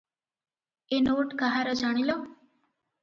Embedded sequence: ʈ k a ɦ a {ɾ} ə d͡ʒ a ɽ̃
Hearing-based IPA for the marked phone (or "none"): ɾ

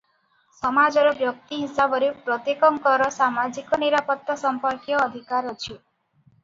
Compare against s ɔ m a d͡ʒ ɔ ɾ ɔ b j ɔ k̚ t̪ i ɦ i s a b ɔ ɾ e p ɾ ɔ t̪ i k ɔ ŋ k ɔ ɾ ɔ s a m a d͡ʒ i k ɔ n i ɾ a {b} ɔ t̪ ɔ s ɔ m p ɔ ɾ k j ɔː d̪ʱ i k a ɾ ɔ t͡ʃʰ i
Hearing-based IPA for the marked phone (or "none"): p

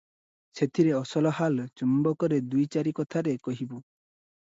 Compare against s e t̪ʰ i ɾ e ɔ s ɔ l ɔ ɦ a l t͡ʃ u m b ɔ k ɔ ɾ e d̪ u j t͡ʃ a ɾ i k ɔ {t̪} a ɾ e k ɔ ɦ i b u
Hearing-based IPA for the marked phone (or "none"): t̪ʰ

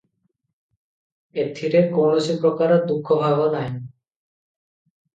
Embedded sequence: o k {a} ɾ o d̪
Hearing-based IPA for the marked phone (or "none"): a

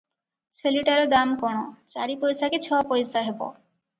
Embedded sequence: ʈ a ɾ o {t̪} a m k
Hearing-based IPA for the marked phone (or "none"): d̪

